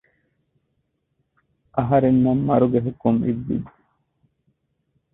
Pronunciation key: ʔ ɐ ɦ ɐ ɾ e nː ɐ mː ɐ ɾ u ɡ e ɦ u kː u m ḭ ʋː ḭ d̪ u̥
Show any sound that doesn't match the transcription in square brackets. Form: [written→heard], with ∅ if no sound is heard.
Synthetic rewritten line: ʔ ɐ ɦ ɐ ɾ e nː ɐ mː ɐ ɾ u ɡ e ɦ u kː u m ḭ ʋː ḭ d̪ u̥